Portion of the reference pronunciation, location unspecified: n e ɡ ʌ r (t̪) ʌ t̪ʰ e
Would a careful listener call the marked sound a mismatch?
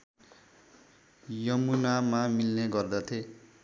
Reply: yes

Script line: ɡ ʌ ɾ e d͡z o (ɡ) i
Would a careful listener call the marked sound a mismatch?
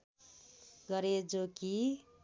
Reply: yes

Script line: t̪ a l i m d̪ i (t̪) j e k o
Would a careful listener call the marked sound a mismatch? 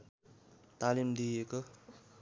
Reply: yes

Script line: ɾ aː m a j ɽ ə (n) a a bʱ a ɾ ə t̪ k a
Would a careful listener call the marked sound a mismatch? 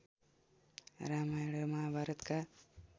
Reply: yes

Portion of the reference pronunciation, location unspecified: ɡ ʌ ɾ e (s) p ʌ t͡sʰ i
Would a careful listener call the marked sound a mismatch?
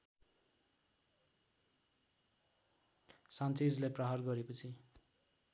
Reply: yes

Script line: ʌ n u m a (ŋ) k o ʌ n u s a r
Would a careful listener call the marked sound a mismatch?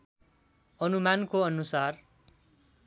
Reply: yes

